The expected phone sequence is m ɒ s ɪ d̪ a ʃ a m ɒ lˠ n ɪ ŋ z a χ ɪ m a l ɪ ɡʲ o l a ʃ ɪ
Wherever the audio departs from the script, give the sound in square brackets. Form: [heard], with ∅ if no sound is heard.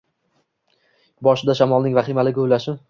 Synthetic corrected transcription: [b] ɒ [ʃ] ɪ d̪ a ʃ a m ɒ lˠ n ɪ ŋ [v] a χ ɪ m a l ɪ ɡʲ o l a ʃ ɪ